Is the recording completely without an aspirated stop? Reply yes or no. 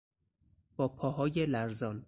no